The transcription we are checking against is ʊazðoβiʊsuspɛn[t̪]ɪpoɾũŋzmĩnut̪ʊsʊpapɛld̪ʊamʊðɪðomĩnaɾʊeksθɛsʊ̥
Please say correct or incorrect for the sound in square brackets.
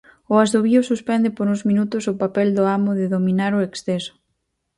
incorrect